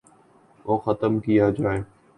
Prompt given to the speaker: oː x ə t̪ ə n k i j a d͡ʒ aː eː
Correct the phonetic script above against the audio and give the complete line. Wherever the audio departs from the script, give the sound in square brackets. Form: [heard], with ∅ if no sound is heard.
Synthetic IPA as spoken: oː x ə t̪ ə [m] k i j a d͡ʒ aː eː